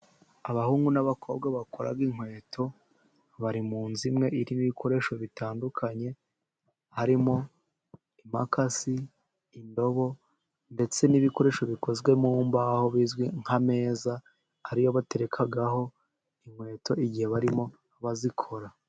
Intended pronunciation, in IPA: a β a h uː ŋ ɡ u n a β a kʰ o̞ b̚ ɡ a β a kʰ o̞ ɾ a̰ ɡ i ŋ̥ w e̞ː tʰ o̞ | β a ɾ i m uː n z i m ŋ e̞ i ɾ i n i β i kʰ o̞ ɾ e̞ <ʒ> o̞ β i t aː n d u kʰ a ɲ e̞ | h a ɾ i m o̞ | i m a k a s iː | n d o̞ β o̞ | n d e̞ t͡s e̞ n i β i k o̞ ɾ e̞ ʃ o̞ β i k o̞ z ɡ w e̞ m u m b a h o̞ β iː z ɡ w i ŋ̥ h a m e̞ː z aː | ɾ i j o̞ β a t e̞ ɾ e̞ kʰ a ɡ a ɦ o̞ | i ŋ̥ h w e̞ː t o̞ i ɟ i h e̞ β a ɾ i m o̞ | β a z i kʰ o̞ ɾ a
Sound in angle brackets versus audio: incorrect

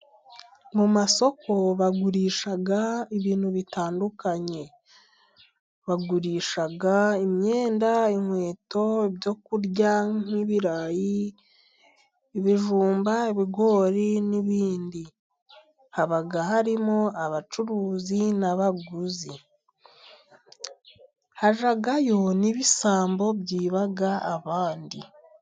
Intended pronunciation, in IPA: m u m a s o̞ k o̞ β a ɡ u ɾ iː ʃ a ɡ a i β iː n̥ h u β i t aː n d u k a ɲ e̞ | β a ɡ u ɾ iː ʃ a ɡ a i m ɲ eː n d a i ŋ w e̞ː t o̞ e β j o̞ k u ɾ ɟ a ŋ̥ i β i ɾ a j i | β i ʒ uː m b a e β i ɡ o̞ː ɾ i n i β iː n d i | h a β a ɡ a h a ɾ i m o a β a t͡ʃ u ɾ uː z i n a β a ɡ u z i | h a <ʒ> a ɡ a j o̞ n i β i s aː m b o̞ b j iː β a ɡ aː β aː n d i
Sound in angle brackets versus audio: correct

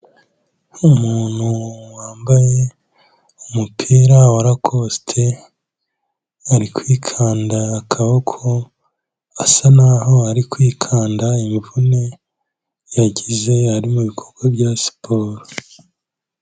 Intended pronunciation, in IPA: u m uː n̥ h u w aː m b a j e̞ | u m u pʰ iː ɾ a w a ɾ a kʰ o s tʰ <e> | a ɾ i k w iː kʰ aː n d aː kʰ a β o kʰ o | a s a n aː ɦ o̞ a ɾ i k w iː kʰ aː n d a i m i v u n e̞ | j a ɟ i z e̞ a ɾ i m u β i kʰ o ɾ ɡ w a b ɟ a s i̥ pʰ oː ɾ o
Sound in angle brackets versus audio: correct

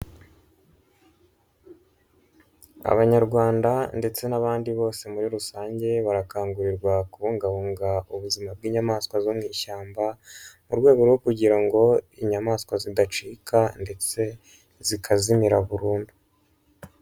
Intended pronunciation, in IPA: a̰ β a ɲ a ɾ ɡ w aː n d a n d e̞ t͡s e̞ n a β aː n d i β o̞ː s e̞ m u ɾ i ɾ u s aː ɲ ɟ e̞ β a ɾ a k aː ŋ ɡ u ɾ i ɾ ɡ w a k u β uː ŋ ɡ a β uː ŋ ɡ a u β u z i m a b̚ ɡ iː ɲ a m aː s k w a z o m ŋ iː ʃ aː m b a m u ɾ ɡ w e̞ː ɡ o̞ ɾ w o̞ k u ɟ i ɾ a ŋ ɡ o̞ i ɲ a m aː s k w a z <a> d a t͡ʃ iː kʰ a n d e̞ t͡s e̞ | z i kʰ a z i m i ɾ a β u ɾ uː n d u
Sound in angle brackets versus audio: incorrect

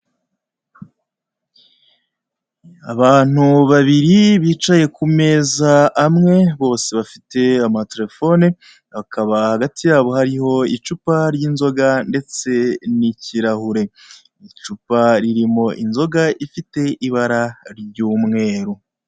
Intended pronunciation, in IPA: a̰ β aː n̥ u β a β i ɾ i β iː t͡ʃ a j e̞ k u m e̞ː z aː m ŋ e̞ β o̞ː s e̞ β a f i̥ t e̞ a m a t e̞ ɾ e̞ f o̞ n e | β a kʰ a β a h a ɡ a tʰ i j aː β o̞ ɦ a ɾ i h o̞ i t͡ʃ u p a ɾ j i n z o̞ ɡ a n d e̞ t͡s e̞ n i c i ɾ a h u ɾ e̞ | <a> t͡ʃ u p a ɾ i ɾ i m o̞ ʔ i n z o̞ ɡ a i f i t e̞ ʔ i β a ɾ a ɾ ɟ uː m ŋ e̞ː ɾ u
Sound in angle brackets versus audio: incorrect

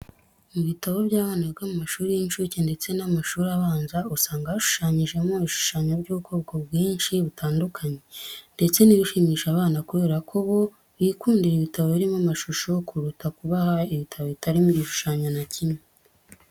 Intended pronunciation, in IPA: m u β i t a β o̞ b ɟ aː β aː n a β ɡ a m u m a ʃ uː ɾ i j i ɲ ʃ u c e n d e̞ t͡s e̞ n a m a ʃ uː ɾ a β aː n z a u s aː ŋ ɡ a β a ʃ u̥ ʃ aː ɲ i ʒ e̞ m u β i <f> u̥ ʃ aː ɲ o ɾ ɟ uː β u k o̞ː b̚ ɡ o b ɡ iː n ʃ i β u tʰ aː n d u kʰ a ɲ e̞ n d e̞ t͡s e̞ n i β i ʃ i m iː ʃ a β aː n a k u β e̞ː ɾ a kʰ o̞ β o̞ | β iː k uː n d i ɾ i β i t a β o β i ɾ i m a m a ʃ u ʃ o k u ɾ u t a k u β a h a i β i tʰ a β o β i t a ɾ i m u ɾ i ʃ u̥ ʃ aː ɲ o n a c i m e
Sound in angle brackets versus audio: incorrect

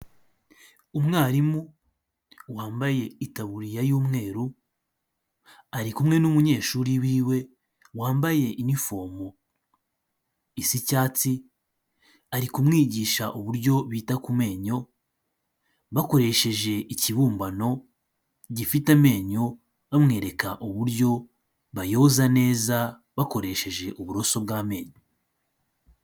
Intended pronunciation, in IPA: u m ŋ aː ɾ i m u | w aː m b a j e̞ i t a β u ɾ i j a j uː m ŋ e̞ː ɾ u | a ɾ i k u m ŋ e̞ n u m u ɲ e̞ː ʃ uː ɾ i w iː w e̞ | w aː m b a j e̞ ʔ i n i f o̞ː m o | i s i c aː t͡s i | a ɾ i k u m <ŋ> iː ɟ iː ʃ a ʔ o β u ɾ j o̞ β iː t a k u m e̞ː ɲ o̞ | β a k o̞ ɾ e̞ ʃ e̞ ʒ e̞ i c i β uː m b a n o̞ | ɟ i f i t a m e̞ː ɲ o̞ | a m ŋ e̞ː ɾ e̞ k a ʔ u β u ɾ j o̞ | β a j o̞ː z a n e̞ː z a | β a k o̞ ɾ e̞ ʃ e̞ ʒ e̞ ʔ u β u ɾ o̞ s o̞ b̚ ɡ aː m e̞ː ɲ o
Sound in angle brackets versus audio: correct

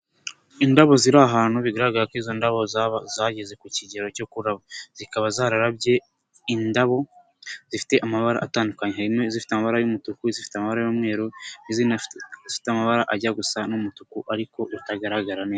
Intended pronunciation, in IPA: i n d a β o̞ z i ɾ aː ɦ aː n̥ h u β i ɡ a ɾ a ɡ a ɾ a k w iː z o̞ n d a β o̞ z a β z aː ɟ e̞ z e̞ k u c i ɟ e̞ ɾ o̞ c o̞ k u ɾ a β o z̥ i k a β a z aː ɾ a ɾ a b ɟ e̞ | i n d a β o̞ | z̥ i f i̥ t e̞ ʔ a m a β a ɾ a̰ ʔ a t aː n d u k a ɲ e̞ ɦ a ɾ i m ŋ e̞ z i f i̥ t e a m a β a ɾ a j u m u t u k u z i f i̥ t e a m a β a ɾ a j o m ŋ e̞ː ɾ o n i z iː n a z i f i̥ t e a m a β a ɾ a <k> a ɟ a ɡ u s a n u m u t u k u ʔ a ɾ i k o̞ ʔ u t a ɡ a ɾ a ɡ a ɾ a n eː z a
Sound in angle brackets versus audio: incorrect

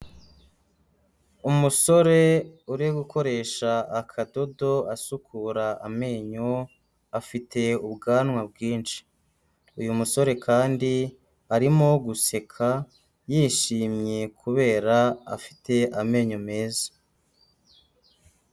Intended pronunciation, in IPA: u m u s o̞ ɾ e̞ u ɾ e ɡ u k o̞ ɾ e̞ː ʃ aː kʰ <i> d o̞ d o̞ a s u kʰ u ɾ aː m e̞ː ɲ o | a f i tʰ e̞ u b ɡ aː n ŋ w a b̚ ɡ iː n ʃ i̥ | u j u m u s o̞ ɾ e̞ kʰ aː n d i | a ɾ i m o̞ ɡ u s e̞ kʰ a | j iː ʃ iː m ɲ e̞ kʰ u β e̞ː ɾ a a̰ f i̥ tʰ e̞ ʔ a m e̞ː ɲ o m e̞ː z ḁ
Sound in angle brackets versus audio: incorrect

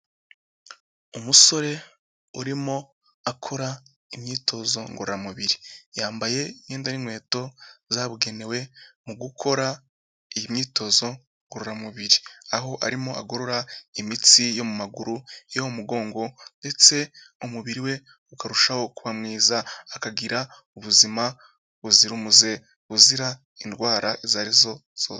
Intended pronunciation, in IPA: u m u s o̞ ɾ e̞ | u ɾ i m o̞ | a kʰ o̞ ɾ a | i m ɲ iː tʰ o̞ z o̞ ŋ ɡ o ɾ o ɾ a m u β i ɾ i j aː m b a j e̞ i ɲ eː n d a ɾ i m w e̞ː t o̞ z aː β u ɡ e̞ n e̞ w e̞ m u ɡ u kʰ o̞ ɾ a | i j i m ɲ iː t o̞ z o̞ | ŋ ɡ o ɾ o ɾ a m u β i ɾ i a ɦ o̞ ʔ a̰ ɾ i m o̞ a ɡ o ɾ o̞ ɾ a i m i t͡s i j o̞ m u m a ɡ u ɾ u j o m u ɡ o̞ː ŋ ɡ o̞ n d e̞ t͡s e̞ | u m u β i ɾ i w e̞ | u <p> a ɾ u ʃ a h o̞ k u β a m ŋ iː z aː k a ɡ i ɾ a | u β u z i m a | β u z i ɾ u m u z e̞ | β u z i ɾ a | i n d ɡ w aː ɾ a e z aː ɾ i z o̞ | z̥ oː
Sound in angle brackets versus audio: incorrect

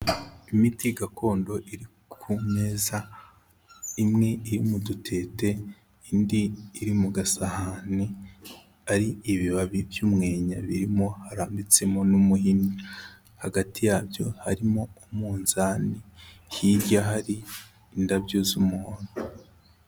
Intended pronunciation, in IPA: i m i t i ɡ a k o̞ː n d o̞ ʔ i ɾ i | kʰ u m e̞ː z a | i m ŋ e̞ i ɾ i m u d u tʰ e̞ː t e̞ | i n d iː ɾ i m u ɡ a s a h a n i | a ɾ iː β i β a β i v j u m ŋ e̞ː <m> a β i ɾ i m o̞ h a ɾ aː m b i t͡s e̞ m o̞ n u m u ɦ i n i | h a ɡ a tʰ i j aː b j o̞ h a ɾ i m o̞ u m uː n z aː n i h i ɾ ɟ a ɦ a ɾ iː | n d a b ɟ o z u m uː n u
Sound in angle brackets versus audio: incorrect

